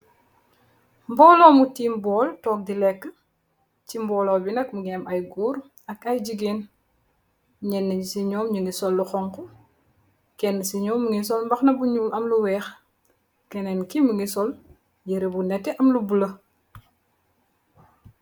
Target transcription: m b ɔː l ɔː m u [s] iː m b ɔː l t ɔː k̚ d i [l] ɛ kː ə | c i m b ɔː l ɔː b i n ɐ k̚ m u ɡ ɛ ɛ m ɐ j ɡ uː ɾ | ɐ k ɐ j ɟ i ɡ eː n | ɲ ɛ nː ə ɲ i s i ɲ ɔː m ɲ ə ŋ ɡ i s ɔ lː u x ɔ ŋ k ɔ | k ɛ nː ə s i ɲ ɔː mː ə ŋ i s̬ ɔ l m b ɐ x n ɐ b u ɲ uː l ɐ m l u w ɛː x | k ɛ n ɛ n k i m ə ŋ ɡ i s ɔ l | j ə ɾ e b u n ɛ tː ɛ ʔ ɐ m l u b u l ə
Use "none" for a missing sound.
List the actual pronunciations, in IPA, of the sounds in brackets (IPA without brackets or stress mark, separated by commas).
t, l